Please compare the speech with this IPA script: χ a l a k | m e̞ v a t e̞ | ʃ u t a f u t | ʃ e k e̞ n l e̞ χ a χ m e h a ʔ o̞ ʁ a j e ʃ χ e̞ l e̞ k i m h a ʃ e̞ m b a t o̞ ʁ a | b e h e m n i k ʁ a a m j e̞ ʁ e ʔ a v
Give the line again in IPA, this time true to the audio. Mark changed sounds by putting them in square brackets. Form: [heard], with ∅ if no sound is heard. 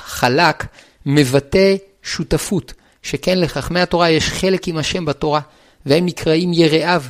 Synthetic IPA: χ a l a k | m e̞ v a t e̞ | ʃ u t a f u t | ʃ e k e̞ n l e̞ χ a χ m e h a [t] o̞ ʁ a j e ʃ χ e̞ l e̞ k i m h a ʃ e̞ m b a t o̞ ʁ a | [v] e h e m n i k ʁ a [i] m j e̞ ʁ e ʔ a v